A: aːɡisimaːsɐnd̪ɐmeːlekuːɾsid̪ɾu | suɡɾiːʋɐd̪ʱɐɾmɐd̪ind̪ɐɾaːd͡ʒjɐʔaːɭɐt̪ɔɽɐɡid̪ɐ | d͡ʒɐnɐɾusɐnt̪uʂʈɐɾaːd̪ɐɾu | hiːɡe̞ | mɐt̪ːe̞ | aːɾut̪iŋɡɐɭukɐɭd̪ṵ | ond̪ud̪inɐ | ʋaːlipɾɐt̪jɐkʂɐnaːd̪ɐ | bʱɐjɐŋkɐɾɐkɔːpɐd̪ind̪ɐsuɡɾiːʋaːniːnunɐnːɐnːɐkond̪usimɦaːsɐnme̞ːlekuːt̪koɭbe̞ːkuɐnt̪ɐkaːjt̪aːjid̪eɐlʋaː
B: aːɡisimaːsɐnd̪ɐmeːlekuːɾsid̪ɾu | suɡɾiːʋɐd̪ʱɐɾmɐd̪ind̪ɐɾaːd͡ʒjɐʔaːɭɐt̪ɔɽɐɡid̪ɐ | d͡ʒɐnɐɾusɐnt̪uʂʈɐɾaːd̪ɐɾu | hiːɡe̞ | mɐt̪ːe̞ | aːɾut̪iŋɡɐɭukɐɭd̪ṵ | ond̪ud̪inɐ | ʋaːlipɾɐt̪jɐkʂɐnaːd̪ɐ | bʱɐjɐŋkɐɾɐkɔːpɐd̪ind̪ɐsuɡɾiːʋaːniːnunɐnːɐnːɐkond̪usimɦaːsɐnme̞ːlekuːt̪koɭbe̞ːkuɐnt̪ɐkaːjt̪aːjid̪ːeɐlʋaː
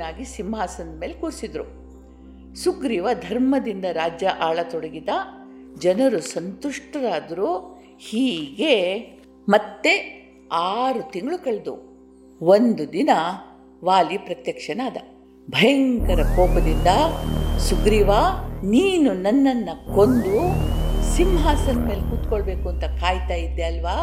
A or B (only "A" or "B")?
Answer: B